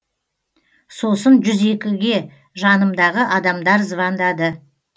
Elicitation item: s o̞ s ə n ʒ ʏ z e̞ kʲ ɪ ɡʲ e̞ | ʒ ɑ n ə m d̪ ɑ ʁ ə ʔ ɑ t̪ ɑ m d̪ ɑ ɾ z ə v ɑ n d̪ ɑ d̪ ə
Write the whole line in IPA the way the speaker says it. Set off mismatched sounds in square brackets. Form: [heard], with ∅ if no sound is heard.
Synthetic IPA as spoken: s o̞ s ə n ʒ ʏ z e̞ kʲ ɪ ɡʲ e̞ | ʒ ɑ n ə m d̪ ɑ ʁ ə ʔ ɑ [d̪] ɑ m d̪ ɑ ɾ z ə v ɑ n d̪ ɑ d̪ ə